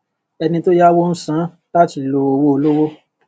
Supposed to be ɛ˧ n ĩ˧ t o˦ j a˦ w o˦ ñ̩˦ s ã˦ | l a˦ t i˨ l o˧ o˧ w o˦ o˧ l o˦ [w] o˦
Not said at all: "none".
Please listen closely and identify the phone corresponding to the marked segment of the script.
w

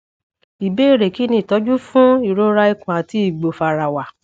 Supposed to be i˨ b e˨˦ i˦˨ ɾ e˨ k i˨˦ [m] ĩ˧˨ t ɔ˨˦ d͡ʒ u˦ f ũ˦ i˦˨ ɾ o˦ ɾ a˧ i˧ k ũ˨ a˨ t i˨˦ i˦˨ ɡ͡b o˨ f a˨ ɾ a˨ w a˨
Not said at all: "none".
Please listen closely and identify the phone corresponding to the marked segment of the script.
n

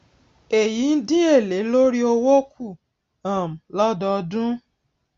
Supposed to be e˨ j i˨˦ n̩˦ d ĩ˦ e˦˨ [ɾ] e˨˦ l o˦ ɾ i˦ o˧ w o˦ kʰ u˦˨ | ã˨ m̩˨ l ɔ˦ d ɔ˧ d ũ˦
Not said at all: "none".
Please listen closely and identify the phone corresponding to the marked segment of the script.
l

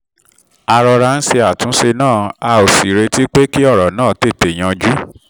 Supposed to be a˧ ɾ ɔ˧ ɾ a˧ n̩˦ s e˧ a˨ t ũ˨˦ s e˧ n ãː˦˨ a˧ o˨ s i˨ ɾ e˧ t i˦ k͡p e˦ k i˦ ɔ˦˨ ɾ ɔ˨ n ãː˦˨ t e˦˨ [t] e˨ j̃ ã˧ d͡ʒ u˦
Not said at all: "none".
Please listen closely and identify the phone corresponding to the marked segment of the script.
t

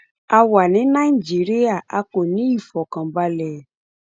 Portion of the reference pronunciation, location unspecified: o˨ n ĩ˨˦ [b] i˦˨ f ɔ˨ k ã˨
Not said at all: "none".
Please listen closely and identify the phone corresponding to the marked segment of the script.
none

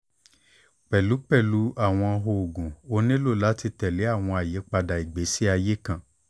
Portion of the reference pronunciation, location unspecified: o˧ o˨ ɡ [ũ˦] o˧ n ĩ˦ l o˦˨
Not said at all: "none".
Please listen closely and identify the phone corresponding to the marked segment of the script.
ũ˨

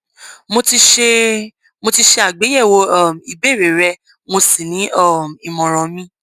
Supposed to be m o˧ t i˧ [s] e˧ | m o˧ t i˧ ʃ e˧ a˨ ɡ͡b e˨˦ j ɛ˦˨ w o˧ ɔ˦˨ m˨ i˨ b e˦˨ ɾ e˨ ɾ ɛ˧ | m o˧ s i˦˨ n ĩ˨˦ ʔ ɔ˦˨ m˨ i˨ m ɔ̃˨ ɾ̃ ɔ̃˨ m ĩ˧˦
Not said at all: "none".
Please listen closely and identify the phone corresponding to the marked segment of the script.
ʃ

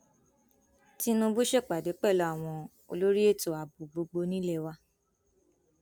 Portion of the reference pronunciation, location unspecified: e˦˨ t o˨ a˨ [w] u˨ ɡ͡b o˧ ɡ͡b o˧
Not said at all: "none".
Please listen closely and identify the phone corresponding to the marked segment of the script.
b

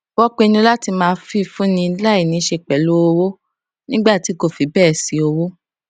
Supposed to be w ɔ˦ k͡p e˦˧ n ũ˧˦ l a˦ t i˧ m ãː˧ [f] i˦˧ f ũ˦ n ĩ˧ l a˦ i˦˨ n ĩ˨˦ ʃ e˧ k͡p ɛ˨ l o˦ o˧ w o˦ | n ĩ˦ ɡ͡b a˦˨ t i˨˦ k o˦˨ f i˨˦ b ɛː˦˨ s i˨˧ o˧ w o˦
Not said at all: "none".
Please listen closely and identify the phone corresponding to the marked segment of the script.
f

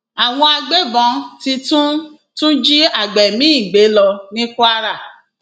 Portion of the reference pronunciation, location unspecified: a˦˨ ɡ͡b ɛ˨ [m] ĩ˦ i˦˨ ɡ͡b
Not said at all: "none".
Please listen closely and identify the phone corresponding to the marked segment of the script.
m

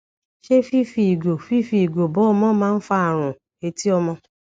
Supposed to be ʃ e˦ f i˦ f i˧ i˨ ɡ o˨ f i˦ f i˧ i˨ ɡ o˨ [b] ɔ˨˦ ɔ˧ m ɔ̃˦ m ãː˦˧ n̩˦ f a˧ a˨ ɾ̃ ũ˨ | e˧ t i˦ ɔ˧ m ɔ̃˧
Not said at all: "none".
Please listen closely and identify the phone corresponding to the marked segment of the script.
b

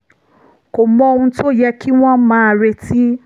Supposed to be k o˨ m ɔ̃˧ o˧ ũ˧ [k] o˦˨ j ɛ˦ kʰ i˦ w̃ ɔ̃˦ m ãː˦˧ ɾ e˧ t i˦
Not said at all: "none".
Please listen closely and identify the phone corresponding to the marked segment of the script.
t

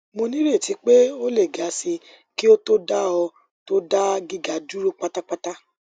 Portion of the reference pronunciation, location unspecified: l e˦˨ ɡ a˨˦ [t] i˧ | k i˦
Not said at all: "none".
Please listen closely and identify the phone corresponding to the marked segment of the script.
s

